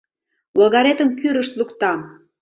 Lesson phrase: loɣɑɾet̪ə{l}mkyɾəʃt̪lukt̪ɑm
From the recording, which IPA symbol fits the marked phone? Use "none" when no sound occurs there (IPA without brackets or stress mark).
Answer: none